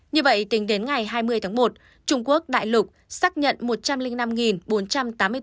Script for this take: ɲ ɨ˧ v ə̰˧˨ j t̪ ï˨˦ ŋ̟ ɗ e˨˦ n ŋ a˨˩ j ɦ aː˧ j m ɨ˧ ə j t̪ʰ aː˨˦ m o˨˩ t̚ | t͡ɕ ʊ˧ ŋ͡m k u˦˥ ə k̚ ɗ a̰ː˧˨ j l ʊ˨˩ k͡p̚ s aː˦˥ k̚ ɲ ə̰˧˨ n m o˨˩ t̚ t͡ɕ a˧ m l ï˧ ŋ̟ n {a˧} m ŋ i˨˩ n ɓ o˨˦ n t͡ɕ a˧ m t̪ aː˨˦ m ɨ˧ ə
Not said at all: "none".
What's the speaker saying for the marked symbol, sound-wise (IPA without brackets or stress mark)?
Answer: a˧